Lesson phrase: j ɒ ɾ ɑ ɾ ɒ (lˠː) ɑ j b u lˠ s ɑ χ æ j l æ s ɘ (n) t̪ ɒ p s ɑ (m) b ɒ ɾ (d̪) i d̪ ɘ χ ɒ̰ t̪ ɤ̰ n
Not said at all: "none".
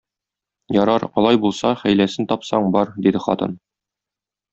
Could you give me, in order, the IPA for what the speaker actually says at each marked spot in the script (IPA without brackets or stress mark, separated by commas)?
lˠ, n, ɴ, d̪